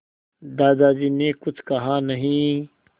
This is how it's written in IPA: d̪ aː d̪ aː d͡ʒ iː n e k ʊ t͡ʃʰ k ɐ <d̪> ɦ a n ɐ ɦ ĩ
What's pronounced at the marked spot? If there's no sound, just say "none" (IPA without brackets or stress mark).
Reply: none